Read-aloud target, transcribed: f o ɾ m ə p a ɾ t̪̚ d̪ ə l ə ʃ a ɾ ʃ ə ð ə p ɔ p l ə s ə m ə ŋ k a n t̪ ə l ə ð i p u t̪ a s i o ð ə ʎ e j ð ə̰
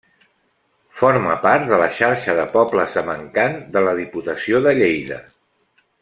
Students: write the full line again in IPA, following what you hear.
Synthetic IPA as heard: f o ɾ m ə p a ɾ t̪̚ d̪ ə l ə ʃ a ɾ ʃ ə ð ə p ɔ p l ə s ə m ə ŋ k a n d̪ ə l ə ð i p u t̪ ə s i o ð ə ʎ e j ð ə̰